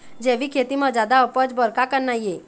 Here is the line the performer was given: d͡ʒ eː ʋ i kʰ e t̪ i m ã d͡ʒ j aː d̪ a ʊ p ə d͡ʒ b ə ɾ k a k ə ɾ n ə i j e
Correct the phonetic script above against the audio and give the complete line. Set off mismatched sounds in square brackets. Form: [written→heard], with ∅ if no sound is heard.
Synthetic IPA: d͡ʒ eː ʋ i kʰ e t̪ i m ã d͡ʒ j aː d̪ a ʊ p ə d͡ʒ b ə ɾ k a k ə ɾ n [ə→a] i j e